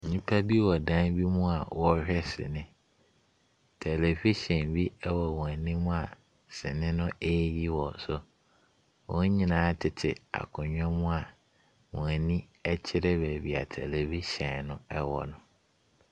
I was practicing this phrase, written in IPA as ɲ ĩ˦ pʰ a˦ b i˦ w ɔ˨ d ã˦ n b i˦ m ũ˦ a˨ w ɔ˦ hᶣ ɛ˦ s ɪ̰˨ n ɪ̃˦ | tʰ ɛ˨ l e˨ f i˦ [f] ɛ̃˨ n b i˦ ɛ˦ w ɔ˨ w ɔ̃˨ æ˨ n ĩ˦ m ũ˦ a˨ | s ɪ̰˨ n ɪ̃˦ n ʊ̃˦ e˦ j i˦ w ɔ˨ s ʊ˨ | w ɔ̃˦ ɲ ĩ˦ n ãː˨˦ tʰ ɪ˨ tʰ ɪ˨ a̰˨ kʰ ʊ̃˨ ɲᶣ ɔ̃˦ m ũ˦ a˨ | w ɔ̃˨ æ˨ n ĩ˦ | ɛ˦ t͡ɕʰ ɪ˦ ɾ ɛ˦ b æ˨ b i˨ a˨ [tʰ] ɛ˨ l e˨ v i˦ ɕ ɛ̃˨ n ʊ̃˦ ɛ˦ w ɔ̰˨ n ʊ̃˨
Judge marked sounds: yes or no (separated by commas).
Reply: no, yes